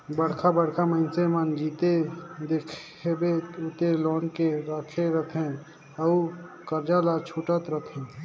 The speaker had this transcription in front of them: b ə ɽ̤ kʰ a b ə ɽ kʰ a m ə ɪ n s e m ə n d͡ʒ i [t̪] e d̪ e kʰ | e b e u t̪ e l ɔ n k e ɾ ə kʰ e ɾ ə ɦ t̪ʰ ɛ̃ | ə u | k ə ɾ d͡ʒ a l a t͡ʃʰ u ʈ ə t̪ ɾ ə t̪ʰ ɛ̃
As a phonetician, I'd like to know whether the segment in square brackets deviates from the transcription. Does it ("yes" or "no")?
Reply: no